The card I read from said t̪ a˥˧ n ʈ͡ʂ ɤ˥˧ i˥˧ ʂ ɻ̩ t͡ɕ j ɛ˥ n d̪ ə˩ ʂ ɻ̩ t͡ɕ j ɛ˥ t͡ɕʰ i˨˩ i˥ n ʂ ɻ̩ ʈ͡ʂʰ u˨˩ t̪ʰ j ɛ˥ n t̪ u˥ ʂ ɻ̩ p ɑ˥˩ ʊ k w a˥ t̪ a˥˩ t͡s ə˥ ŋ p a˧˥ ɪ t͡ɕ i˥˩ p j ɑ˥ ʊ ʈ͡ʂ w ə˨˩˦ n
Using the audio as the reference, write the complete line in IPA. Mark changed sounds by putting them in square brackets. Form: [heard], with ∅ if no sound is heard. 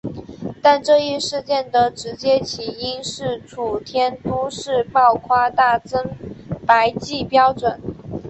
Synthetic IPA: t̪ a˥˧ n ʈ͡ʂ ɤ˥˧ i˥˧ ʂ ɻ̩ t͡ɕ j [ɛ˥˩] n d̪ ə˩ [ʈ͡ʂ] ɻ̩ t͡ɕ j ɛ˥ t͡ɕʰ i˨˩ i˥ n ʂ ɻ̩ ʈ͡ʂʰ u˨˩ t̪ʰ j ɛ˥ n t̪ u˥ ʂ ɻ̩ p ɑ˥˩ ʊ [kʰ] w a˥ t̪ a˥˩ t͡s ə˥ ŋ p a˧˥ ɪ t͡ɕ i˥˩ p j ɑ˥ ʊ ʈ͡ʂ w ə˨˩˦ n